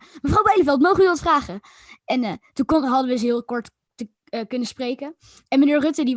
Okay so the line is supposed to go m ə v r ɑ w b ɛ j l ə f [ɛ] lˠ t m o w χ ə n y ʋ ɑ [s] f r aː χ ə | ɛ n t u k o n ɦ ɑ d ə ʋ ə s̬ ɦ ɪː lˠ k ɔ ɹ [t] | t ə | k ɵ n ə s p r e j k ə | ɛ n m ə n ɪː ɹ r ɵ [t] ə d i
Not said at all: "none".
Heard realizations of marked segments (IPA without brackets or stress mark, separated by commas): ɛ, t, t, t